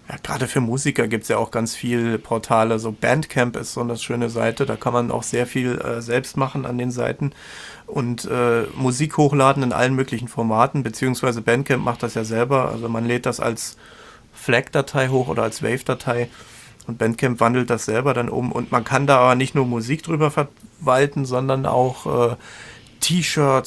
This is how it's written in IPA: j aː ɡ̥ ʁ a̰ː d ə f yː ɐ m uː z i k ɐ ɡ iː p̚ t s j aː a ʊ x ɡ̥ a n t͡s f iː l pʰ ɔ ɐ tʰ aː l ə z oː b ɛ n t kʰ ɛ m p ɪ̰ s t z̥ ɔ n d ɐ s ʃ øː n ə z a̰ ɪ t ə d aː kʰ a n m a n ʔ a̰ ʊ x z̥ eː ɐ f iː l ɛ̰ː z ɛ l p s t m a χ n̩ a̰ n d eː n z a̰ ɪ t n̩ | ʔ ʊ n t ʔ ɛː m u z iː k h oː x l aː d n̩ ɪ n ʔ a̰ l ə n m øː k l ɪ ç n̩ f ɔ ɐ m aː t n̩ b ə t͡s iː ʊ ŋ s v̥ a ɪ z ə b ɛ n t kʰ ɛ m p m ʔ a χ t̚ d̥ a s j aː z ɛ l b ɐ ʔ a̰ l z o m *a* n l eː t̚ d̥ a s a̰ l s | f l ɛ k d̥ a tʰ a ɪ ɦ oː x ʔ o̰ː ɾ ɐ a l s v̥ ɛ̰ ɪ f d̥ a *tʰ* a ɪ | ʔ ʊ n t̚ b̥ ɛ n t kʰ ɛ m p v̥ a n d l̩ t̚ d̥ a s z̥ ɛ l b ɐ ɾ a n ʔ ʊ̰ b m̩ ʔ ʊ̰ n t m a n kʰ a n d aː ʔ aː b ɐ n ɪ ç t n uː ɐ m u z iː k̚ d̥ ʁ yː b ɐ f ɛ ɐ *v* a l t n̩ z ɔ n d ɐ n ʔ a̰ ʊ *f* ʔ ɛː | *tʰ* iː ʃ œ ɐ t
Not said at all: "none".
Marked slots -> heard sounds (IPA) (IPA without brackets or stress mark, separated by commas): a, tʰ, v, x, tʰ